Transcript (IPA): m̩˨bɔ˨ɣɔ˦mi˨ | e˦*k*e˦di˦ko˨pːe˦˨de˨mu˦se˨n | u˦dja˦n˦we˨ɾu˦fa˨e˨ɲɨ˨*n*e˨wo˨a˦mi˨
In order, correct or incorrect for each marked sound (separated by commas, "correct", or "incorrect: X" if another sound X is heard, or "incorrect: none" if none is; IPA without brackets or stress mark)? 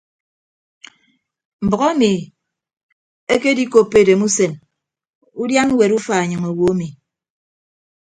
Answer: correct, incorrect: ŋ